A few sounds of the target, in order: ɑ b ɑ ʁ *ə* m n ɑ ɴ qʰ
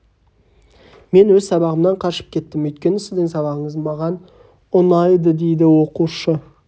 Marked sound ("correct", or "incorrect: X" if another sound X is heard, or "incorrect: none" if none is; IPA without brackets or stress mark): correct